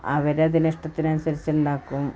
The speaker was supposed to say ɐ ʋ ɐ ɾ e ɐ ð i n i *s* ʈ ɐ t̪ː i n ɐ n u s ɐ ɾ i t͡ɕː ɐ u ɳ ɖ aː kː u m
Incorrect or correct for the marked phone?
incorrect: ʂ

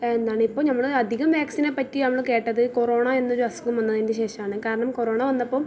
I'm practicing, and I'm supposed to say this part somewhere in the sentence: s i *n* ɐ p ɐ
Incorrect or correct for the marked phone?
correct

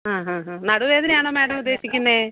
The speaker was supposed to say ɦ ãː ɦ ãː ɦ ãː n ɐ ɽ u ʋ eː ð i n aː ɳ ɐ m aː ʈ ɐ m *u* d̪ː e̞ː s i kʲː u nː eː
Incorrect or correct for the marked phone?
correct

